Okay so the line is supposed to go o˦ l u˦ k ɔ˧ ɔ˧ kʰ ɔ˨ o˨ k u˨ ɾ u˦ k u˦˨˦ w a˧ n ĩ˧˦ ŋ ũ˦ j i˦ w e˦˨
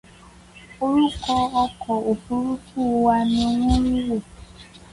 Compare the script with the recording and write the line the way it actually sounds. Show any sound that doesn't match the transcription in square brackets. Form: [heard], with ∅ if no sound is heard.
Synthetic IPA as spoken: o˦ [ɾ] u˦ k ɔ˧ ɔ˧ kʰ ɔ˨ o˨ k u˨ ɾ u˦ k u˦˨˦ w a˧ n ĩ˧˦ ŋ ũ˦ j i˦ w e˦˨